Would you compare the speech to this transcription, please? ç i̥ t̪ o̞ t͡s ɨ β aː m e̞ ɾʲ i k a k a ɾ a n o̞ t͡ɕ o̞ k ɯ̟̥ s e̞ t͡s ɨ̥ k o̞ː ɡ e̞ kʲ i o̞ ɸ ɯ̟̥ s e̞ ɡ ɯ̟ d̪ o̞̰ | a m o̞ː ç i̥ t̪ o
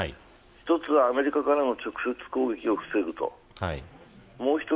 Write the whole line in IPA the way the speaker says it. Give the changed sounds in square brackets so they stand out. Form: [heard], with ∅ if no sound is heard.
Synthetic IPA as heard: ç i̥ t̪ o̞ t͡s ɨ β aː m e̞ ɾʲ i k a k a ɾ a n o̞ t͡ɕ o̞ k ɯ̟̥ s e̞ t͡s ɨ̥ k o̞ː ɡ e̞ kʲ i o̞ ɸ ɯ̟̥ s e̞ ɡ ɯ̟ [t̪] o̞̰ | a m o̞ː ç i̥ t̪ o